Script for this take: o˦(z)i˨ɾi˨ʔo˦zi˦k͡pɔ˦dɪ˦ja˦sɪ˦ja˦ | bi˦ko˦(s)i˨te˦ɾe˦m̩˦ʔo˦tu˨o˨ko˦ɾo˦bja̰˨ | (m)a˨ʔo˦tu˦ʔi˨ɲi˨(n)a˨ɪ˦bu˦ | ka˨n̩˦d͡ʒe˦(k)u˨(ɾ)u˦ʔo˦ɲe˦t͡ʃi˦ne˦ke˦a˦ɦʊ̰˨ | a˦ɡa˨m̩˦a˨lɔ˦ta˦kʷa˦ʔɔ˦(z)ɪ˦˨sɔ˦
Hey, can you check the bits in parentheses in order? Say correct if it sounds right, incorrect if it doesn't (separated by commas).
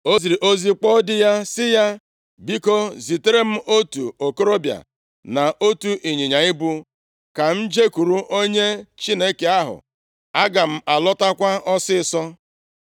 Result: correct, incorrect, incorrect, incorrect, correct, correct, incorrect